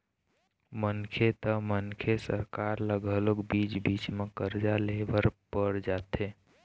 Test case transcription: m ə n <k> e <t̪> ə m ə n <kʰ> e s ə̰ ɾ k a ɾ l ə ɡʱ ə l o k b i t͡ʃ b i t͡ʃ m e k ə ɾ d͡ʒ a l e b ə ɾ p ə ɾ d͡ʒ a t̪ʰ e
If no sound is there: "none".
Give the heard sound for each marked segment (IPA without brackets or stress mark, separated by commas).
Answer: kʰ, t̪, kʰ